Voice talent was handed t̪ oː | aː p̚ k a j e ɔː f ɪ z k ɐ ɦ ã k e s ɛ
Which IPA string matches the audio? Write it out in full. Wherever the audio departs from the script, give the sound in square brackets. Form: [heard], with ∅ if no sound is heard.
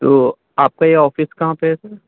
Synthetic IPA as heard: t̪ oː | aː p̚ k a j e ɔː f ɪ [s] k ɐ ɦ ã [p] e s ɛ